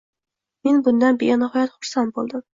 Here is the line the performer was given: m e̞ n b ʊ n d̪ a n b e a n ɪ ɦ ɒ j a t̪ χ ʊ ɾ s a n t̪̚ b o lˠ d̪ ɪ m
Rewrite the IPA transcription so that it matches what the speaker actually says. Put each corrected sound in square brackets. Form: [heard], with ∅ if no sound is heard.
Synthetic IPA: m e̞ n b ʊ n d̪ a n b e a n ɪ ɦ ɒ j a t̪ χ ʊ ɾ s a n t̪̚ b o lˠ d̪ ɪ m